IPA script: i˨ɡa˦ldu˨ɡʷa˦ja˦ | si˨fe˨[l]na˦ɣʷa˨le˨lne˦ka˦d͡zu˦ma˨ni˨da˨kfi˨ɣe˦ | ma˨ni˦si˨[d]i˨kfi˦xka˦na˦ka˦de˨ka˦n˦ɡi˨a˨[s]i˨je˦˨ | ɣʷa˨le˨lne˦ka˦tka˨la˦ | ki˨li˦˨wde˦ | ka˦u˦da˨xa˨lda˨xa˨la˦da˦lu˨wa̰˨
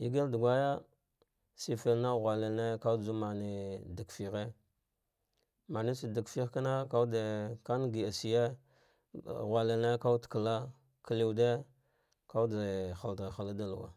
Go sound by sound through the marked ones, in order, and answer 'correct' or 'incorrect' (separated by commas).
correct, correct, correct